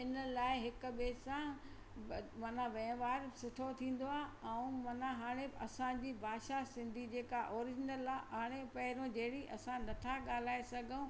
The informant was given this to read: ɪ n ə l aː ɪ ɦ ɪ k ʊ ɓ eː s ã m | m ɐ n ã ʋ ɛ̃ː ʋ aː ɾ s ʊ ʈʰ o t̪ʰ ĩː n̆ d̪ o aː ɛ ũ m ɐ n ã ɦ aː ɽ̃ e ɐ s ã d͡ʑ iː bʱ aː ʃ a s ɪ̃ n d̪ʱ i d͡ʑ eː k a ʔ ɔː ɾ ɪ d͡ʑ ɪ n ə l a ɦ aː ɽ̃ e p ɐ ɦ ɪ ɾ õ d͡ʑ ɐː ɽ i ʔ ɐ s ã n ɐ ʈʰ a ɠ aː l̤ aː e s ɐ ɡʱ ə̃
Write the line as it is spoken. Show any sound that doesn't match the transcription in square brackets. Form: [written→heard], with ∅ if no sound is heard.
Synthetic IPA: ɪ n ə l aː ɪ ɦ ɪ k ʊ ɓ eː s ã [m→∅] | m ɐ n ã ʋ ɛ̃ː ʋ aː ɾ s ʊ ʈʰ o t̪ʰ ĩː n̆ d̪ o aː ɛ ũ m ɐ n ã ɦ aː ɽ̃ e ɐ s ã d͡ʑ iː bʱ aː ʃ a s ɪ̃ n d̪ʱ i d͡ʑ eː k a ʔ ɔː ɾ ɪ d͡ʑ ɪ n ə l a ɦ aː ɽ̃ e p ɐ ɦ ɪ ɾ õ d͡ʑ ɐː ɽ i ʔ ɐ s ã n ɐ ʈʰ a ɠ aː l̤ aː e s ɐ ɡʱ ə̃